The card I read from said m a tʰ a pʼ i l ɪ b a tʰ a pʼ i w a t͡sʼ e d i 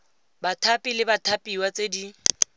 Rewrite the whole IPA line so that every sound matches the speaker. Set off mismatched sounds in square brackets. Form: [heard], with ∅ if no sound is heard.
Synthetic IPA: [b] a tʰ a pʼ i l ɪ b a tʰ a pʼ i w a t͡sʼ e d i